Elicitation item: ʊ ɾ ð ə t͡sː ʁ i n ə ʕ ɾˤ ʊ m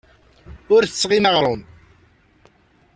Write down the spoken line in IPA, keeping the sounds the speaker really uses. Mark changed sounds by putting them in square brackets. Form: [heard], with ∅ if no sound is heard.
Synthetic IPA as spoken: ʊ ɾ [θ] ə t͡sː ʁ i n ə [ʁ] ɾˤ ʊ [n]